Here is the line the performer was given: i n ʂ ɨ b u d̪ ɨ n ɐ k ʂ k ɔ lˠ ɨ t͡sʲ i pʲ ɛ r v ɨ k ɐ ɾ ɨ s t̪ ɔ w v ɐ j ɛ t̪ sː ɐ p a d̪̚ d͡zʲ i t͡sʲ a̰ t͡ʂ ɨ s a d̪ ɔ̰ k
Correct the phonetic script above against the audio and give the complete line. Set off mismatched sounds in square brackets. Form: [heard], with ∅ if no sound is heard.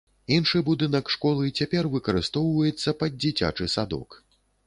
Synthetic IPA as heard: i n ʂ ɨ b u d̪ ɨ n ɐ k ʂ k ɔ lˠ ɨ t͡sʲ [a] pʲ ɛ r v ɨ k ɐ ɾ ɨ s t̪ ɔ w v ɐ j ɛ t̪ sː ɐ p [ɐ] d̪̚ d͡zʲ i t͡sʲ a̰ t͡ʂ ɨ s a d̪ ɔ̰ k